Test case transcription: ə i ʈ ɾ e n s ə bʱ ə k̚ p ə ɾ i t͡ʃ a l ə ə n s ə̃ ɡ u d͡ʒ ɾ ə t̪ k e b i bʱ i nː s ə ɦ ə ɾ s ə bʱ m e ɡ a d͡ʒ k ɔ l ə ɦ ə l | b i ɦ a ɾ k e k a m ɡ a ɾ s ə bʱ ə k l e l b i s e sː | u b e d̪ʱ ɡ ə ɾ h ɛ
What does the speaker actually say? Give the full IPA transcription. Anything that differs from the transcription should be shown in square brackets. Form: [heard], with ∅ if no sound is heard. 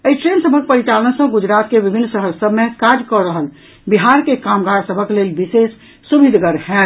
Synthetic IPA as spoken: ə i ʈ ɾ e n s ə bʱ ə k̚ p ə ɾ i t͡ʃ a l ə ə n s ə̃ ɡ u d͡ʒ ɾ [a] t̪ k e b i bʱ i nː s ə ɦ ə ɾ s ə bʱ m e [k] a d͡ʒ k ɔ [ɾ] ə ɦ ə l | b i ɦ a ɾ k e k a m ɡ a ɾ s ə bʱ ə k l e l b i s e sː | u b [i] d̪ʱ ɡ ə ɾ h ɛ